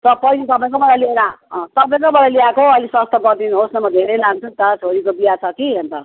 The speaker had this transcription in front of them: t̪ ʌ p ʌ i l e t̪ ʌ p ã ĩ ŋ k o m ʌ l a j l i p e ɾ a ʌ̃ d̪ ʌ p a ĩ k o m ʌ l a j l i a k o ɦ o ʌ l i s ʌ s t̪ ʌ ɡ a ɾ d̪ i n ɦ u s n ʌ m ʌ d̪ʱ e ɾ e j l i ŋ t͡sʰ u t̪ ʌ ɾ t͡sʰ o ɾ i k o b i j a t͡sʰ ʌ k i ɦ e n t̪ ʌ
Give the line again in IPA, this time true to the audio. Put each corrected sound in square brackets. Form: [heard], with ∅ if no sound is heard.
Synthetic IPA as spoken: t̪ ʌ p ʌ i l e t̪ ʌ p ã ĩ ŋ k o m ʌ l a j l i [∅] e ɾ a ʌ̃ [t̪] ʌ p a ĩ k o m ʌ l a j l i a k o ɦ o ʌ l i s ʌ s t̪ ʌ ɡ [ʌ] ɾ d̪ i n ɦ [o] s n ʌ m ʌ d̪ʱ e ɾ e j l [a] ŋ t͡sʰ u t̪ ʌ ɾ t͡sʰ o ɾ i k o b i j a t͡sʰ ʌ k i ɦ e n t̪ ʌ